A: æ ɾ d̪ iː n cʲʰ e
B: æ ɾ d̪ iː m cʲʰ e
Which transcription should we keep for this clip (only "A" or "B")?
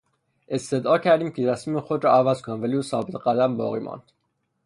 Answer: B